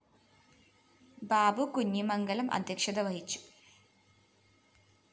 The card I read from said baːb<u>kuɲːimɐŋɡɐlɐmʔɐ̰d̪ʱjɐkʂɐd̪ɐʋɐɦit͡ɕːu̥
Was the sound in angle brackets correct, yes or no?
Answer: yes